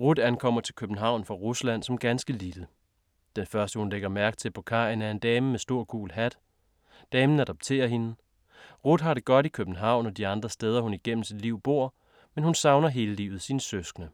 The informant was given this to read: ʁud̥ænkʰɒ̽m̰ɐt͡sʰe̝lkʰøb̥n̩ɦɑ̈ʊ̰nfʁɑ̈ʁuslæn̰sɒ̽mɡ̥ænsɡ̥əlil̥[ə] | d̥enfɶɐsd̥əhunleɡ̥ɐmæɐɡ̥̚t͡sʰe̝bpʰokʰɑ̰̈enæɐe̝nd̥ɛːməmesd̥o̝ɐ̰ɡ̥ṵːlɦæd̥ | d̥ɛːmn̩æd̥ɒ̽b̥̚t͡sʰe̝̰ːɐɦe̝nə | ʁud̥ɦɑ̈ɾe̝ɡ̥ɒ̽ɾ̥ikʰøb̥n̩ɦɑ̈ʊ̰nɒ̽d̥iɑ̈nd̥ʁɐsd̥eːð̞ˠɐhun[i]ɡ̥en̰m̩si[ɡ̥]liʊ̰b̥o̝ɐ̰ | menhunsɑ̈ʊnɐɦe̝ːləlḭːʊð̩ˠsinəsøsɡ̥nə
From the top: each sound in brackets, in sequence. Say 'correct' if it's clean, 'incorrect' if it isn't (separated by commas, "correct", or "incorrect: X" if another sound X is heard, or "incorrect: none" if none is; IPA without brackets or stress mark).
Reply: correct, correct, incorrect: d̥